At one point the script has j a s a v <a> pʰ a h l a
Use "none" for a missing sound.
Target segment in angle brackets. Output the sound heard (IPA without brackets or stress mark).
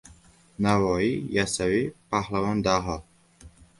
i